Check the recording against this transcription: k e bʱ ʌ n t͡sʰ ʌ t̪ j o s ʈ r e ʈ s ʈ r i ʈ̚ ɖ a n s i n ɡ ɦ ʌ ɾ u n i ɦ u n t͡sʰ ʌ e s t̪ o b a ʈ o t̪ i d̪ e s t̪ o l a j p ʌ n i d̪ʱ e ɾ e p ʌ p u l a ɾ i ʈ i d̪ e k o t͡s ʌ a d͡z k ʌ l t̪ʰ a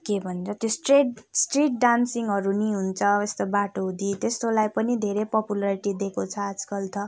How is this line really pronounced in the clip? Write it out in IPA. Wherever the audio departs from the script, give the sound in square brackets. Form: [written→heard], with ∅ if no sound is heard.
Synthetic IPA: k e bʱ ʌ n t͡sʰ ʌ t̪ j o s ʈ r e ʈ s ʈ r i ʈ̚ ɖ a n s i [n→ŋ] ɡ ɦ ʌ ɾ u n i ɦ u n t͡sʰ ʌ e s t̪ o b a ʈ o [t̪→d̪] i [d̪→t̪] e s t̪ o l a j p ʌ n i d̪ʱ e ɾ e p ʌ p u l a ɾ i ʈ i d̪ e k o [t͡s→t͡sʰ] ʌ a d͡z k ʌ l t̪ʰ [a→ʌ]